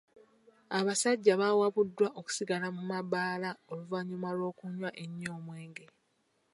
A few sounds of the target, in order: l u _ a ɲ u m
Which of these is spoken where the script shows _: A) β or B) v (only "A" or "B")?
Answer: B